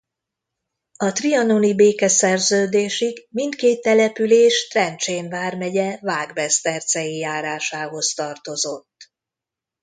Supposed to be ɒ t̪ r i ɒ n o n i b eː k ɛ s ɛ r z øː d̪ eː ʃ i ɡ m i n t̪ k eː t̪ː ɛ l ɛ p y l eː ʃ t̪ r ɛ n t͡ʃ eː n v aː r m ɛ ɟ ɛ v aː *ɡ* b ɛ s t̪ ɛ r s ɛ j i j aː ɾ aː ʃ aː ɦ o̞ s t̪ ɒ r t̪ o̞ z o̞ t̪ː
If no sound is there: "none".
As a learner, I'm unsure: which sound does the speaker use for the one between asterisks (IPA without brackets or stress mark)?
ɡ